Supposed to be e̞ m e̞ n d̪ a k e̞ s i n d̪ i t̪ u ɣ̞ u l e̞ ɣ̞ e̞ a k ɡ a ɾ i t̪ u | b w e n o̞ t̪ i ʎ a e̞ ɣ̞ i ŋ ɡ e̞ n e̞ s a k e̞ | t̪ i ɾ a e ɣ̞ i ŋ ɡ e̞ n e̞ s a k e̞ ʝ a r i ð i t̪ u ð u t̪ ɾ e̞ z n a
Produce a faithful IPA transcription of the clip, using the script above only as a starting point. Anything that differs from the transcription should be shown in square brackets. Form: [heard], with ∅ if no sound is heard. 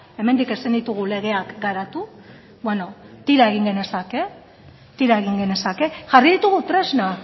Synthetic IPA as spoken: e̞ m e̞ n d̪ [i] k e̞ s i n d̪ i t̪ u ɣ̞ u l e̞ ɣ̞ e̞ a k ɡ a ɾ [a] t̪ u | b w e n o̞ t̪ i [ɾ] a e̞ ɣ̞ i ŋ ɡ e̞ n e̞ s a k e̞ | t̪ i ɾ a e ɣ̞ i ŋ ɡ e̞ n e̞ s a k e̞ ʝ a r i ð i t̪ u [ɣ] u t̪ ɾ e̞ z n a